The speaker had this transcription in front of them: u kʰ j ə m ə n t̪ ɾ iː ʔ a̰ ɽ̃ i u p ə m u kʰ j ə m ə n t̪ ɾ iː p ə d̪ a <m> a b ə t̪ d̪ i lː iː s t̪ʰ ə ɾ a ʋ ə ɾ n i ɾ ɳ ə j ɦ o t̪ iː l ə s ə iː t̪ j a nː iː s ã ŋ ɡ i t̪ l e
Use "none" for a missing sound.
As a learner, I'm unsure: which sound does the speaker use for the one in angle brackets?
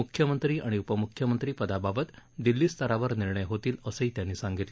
b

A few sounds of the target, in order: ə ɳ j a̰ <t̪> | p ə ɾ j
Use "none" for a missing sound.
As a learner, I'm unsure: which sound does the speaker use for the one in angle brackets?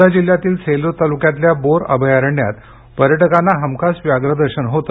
t̪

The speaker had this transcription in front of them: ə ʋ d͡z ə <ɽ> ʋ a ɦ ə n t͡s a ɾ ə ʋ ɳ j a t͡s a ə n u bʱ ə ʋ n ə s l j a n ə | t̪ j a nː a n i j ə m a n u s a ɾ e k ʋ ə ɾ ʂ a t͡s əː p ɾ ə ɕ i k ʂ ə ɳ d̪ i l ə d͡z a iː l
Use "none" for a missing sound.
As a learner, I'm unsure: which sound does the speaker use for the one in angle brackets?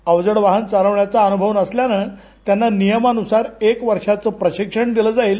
ɽ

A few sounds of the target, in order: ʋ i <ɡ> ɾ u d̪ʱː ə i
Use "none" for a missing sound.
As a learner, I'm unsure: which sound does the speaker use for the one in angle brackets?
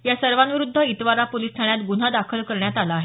none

